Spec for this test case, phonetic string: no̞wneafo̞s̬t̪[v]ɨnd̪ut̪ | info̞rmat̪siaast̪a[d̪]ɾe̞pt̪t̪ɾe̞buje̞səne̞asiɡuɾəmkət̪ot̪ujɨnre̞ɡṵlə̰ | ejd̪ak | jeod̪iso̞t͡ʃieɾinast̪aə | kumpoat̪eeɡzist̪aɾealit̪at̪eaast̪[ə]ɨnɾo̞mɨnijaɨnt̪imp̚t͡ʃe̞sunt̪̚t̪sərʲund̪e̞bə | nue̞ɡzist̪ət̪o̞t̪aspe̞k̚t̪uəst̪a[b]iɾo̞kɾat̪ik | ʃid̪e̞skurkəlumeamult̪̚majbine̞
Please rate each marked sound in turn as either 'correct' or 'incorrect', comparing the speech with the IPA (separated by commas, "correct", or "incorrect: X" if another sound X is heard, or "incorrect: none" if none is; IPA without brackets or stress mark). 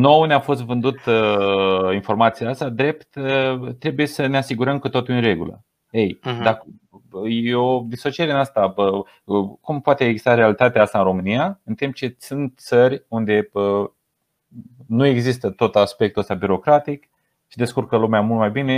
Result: correct, correct, incorrect: a, correct